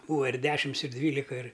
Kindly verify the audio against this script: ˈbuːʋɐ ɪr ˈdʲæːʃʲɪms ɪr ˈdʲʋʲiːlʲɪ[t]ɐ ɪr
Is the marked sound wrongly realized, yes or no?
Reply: yes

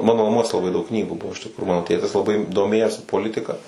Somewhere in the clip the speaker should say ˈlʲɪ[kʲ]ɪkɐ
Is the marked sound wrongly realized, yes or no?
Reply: yes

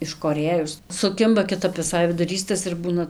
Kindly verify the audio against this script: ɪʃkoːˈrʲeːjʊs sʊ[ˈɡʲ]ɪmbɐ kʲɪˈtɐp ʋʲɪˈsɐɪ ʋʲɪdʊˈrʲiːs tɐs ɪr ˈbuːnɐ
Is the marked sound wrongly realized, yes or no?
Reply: yes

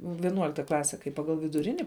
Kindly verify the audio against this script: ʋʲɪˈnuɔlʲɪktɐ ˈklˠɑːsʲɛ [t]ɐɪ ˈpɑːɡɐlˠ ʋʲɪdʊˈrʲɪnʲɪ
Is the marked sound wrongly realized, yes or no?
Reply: yes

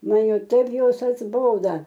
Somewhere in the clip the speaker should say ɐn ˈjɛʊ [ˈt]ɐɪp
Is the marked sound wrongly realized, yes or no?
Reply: no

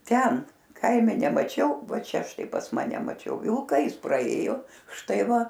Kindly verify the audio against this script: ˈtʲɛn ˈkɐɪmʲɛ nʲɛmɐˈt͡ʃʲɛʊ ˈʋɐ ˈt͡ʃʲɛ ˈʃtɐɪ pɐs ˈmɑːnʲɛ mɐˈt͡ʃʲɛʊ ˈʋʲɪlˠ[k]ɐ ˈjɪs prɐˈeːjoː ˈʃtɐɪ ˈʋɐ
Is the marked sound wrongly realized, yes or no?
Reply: no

